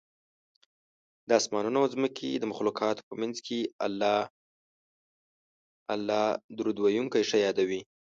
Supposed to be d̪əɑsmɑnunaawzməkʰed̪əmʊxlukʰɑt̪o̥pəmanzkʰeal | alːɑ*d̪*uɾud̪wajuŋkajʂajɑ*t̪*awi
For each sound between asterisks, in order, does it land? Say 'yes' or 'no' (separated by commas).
yes, no